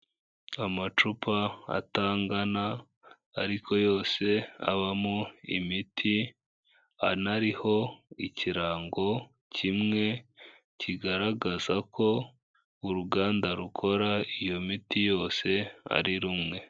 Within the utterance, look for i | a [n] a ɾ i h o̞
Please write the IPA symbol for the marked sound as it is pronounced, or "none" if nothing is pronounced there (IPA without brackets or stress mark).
n